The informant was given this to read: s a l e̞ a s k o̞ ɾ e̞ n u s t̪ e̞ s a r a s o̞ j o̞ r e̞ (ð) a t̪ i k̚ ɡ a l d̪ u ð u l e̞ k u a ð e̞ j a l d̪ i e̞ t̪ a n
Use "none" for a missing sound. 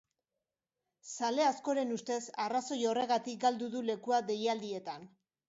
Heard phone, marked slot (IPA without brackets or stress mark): ɣ